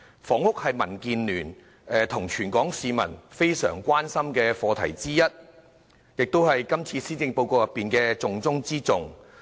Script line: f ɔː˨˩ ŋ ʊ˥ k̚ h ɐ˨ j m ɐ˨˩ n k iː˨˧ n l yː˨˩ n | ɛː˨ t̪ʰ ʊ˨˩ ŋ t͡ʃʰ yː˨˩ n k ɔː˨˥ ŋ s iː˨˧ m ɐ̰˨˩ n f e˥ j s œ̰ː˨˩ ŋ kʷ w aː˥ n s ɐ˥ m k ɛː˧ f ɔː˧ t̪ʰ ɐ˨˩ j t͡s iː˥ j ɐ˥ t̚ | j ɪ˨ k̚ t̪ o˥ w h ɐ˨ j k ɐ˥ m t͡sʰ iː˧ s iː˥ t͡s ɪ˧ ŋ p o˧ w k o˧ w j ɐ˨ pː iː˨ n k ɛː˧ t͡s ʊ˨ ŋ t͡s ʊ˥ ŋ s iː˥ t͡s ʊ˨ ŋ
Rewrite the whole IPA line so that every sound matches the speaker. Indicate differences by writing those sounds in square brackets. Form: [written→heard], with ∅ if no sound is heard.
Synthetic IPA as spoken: f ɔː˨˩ ŋ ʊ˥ k̚ h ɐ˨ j m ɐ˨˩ n k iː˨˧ n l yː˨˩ n | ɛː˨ t̪ʰ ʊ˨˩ ŋ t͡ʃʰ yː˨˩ n k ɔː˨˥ ŋ s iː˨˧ m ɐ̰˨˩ n f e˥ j s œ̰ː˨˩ ŋ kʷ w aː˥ n s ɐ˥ m k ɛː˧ f ɔː˧ t̪ʰ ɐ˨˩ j t͡s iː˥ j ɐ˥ t̚ | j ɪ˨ k̚ t̪ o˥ w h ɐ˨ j k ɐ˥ m t͡sʰ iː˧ s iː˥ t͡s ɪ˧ ŋ p o˧ w k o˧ w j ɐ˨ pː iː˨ n k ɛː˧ t͡s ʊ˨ ŋ t͡s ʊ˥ ŋ [s→t͡s] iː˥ t͡s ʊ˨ ŋ